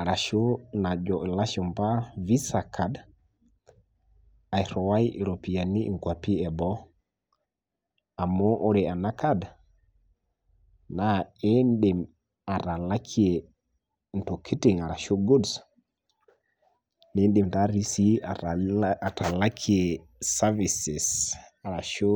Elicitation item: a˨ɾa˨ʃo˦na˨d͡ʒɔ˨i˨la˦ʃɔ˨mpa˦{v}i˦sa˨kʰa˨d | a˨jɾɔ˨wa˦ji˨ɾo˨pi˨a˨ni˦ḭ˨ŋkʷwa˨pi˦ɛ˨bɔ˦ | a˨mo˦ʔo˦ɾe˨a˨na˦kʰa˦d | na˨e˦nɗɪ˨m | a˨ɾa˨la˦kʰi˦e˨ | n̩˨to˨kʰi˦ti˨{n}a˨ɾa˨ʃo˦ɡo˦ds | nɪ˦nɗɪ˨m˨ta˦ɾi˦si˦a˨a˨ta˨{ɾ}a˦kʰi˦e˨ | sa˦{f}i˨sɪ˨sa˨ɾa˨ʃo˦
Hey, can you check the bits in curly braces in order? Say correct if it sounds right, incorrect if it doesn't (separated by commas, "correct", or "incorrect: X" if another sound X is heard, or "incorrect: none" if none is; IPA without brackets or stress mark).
correct, incorrect: ŋ, incorrect: l, incorrect: v